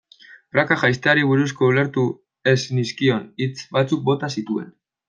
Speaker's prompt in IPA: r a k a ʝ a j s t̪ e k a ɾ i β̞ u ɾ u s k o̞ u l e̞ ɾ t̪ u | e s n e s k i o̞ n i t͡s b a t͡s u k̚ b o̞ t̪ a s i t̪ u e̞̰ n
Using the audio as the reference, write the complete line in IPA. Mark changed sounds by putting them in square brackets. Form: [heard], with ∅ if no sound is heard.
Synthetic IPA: r a k a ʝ a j s t̪ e [∅] a ɾ i β̞ u ɾ u s k o̞ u l e̞ ɾ t̪ u | e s n [i] s k i o̞ n i t͡s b a t͡s u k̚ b o̞ t̪ a s i t̪ u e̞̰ n